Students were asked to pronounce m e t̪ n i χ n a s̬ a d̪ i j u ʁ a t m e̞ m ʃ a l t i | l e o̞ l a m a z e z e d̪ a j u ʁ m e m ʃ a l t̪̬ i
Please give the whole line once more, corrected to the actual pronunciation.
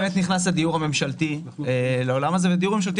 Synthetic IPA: m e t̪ n i χ n a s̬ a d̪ i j u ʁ a m e̞ m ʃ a l t i | l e o̞ l a m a z e v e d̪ i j u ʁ m e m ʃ a l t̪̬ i